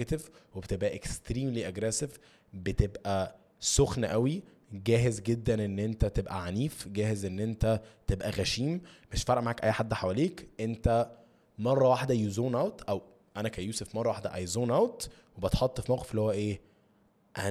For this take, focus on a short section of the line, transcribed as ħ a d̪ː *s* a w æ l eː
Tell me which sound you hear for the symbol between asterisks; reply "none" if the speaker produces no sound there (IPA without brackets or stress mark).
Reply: ħ